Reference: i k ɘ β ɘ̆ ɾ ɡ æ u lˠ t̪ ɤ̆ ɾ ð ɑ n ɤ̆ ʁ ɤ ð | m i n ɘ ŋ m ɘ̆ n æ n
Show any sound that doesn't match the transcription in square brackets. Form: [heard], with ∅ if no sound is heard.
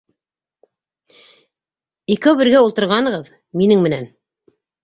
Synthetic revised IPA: i k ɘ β ɘ̆ ɾ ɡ æ u lˠ t̪ ɤ̆ ɾ [ʁ] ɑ n ɤ̆ ʁ ɤ ð | m i n ɘ ŋ m ɘ̆ n æ n